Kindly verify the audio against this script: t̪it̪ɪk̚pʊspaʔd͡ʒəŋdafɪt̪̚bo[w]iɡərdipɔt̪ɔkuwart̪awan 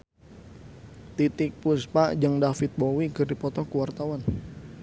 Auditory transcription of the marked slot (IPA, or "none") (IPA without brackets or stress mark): w